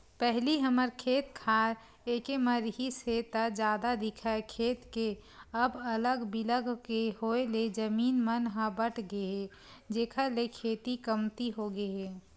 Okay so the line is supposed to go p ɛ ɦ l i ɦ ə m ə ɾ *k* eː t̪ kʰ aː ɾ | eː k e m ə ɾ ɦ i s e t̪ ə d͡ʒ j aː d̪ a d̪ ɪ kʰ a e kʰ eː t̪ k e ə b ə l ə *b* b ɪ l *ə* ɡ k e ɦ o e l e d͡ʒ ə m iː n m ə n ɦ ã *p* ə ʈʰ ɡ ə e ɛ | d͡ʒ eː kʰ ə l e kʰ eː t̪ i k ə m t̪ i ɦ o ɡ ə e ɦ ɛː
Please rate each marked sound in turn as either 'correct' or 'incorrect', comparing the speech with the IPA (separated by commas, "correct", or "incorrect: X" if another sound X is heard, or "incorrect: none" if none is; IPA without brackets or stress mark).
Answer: incorrect: kʰ, incorrect: ɡ, correct, incorrect: b